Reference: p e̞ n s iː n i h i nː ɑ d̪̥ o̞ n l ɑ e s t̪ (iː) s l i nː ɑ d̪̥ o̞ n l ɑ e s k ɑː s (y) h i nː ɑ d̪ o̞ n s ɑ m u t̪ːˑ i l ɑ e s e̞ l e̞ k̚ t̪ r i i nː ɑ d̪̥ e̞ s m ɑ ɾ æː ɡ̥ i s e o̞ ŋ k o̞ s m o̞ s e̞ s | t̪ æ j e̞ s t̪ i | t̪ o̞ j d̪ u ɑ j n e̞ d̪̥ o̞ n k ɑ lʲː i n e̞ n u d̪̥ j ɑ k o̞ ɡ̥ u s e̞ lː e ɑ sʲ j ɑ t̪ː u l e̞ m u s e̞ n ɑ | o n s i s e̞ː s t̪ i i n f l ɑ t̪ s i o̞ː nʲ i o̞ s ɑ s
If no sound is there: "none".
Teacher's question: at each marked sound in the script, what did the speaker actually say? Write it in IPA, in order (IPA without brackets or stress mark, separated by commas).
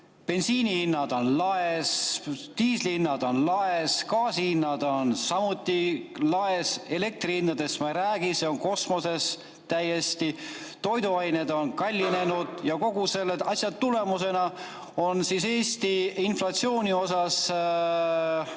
iː, i